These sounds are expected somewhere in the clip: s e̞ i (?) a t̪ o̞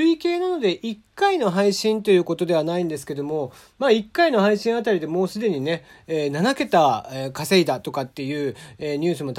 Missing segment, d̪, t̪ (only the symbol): d̪